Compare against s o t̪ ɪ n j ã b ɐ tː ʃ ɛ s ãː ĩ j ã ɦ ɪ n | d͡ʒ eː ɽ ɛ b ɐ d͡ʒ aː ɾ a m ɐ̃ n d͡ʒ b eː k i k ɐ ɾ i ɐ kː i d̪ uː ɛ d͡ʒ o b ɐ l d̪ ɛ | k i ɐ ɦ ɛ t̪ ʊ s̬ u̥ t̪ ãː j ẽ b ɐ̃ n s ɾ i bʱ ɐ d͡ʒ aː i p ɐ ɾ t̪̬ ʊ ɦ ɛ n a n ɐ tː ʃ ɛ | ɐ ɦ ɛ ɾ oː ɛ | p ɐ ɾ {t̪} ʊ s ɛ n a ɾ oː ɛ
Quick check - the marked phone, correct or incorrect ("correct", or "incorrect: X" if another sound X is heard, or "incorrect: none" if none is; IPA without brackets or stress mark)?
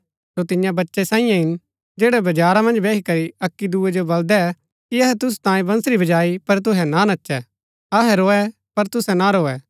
correct